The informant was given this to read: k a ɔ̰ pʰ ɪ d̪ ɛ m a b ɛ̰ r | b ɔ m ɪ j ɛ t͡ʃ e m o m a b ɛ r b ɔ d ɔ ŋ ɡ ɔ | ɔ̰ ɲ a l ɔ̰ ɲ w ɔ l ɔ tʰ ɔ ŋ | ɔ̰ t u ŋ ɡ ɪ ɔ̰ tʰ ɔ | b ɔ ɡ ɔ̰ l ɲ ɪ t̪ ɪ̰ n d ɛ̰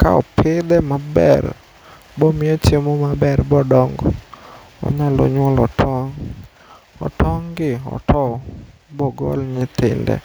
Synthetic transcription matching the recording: k a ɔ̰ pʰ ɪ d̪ ɛ m a b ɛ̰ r | b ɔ m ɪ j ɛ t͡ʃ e m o m a b ɛ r b ɔ d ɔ ŋ ɡ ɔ | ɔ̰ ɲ a l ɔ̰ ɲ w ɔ l ɔ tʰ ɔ ŋ | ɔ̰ t ɔ ŋ ɡ ɪ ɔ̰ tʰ ɔ | b ɔ ɡ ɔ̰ l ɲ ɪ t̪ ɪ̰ n d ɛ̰